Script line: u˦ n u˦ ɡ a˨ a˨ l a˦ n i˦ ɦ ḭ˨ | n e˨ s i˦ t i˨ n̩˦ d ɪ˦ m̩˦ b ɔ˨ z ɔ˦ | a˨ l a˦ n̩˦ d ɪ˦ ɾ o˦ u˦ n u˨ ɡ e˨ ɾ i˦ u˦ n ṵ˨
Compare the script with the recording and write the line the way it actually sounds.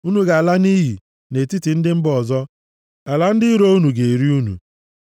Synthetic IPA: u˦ n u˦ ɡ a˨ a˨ l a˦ n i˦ ɦ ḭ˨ | n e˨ t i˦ t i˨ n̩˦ d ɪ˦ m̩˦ b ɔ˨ z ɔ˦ | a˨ l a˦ n̩˦ d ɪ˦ ɾ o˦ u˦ n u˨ ɡ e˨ ɾ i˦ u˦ n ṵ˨